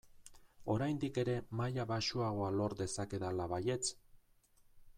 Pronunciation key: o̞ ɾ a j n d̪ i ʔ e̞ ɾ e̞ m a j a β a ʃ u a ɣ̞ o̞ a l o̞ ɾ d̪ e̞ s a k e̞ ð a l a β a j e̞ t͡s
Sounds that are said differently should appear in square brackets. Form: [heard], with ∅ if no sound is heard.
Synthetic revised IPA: o̞ ɾ a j n d̪ i [k] e̞ ɾ e̞ m a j a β a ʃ u a ɣ̞ o̞ a l o̞ ɾ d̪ e̞ s a k e̞ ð a l a β a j e̞ t͡s